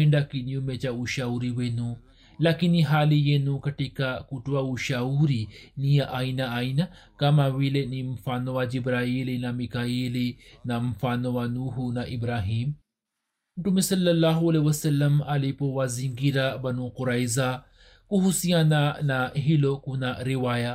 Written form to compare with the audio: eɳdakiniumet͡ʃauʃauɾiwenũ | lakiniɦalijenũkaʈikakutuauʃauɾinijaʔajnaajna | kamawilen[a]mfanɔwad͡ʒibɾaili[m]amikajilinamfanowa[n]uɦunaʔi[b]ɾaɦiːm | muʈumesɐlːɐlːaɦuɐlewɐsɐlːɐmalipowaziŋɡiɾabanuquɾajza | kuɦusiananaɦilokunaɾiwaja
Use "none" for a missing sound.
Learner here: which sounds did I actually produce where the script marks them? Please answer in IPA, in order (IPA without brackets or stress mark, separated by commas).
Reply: i, n, n, b